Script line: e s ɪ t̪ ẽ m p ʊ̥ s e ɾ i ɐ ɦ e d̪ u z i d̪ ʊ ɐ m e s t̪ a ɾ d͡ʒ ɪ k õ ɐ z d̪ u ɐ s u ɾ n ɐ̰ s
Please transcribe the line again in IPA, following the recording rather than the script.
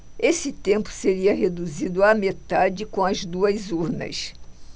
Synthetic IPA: e s ɪ t̪ ẽ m p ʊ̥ s e ɾ i ɐ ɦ e d̪ u z i d̪ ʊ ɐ m e t̪ a d͡ʒ ɪ k õ ɐ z d̪ u ɐ z u ɾ n ɐ̰ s